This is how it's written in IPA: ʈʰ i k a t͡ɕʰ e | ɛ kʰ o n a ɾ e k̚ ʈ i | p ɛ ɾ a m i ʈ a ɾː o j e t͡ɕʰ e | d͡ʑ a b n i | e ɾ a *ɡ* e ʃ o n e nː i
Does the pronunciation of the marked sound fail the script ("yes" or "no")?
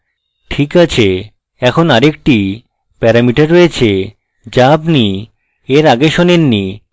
no